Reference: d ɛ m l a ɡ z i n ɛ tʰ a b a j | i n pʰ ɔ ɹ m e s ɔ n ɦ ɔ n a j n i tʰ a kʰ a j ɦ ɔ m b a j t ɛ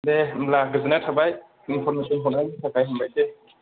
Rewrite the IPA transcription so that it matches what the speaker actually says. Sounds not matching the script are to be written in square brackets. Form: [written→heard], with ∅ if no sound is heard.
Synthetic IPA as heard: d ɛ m l a ɡ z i n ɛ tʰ a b a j | i n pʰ ɔ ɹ m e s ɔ n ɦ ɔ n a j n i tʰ a [kʰ→k] a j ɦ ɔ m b a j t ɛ